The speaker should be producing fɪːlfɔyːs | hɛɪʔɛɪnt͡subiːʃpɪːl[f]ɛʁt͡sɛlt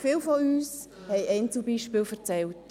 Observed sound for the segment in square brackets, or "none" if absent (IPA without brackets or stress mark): f